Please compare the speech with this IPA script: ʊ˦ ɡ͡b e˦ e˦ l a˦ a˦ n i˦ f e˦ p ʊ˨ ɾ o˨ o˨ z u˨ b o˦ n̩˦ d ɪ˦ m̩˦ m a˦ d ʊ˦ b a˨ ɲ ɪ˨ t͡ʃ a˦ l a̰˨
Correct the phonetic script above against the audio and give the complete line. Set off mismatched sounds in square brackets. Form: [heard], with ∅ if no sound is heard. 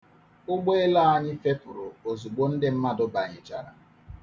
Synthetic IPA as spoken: ʊ˦ ɡ͡b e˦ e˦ l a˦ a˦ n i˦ f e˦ p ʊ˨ ɾ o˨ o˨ z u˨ [ɡ͡b] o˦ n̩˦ d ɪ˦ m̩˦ m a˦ d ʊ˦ b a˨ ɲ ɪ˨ t͡ʃ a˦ [ɾ] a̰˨